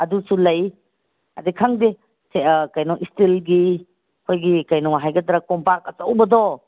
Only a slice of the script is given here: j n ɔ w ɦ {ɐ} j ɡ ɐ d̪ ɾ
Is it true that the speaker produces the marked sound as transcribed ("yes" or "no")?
no